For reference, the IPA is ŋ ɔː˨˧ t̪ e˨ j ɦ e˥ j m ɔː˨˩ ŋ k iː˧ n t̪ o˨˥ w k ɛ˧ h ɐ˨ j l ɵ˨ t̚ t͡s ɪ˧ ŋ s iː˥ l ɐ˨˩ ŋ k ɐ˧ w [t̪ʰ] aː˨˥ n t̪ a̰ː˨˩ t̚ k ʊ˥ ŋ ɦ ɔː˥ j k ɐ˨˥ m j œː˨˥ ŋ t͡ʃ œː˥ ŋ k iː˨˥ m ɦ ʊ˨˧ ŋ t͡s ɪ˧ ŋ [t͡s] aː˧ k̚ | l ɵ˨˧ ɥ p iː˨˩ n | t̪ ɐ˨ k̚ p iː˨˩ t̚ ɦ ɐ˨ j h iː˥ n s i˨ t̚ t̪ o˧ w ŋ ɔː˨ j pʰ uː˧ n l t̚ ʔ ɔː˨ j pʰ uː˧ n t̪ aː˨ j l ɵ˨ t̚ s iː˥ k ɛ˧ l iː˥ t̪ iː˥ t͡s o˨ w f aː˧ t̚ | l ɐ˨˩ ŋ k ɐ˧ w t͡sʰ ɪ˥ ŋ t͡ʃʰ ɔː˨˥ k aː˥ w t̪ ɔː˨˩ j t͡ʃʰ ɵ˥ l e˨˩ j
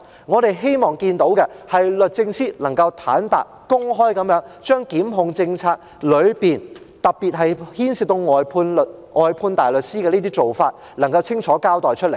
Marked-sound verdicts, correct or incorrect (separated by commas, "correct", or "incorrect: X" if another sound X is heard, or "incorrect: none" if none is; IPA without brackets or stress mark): correct, incorrect: t͡sʰ